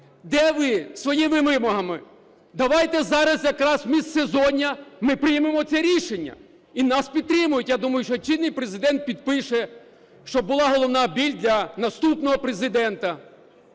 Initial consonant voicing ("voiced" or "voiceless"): voiced